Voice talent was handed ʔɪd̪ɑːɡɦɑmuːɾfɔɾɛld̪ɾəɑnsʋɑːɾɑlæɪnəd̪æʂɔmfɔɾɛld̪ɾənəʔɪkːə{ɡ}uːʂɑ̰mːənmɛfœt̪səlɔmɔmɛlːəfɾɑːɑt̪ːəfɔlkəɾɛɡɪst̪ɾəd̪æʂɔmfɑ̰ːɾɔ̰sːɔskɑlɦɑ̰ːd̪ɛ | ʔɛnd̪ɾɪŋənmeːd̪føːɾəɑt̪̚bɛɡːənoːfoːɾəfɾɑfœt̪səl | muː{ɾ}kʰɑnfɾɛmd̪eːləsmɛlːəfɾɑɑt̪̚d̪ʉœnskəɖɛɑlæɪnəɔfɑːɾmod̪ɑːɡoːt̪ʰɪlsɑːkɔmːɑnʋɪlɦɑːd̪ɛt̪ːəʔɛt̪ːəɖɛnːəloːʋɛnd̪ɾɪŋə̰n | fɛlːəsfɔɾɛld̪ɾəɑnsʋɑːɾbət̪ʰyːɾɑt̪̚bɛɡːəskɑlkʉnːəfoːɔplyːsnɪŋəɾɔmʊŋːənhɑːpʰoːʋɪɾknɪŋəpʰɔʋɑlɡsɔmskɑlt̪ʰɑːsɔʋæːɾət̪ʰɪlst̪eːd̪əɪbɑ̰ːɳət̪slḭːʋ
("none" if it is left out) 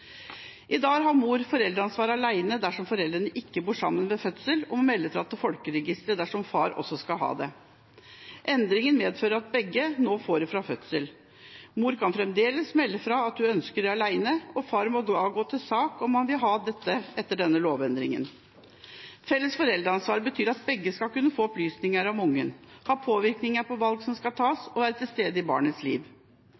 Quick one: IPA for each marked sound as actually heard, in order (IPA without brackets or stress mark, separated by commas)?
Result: b, ɾ